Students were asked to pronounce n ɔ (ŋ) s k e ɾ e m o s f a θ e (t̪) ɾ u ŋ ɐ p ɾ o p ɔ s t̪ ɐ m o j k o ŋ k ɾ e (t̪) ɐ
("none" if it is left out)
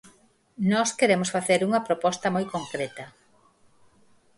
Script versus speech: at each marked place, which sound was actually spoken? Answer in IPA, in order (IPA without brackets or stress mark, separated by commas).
none, none, t̪